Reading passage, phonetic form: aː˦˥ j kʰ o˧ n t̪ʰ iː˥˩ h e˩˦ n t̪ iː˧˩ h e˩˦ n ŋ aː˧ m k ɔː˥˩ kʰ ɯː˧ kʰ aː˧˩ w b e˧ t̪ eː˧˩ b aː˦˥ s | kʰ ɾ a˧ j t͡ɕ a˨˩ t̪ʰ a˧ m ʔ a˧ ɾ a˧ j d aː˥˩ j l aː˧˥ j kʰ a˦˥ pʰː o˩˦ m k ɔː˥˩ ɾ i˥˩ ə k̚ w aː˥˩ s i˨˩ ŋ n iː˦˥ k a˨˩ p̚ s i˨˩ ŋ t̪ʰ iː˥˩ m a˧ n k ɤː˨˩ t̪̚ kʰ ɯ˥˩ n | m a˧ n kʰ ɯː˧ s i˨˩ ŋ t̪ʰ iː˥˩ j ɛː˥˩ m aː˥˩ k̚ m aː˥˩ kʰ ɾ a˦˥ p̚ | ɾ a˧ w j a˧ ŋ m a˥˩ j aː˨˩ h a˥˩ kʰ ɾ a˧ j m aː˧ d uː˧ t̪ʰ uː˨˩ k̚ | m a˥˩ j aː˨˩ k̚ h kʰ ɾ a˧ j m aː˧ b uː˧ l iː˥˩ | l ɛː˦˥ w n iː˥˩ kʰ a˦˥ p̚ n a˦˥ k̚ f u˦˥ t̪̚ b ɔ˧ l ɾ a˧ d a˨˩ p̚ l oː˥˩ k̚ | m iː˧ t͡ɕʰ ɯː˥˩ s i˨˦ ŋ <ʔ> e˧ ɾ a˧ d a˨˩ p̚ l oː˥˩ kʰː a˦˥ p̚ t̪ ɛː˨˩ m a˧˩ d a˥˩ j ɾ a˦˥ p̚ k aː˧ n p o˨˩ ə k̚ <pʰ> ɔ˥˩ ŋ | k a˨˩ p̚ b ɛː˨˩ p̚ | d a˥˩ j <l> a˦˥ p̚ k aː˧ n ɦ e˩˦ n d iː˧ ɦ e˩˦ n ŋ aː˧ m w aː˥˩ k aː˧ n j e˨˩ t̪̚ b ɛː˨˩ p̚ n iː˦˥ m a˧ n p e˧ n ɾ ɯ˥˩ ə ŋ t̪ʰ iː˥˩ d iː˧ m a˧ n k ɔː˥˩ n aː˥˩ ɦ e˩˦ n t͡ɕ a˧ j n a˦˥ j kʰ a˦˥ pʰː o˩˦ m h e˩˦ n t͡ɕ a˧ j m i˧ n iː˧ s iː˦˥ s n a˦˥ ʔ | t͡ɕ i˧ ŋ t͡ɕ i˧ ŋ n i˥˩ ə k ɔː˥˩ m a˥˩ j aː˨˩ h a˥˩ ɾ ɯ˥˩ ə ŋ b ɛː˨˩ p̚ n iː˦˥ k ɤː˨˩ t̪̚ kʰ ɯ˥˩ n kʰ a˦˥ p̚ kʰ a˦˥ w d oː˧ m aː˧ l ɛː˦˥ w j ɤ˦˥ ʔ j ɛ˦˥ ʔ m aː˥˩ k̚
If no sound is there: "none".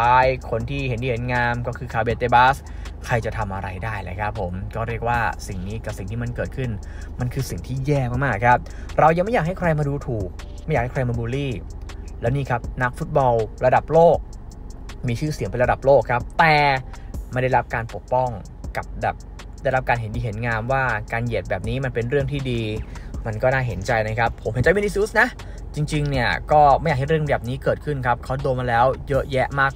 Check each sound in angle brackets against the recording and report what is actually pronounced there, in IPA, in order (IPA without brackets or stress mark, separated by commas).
p, p, ɾ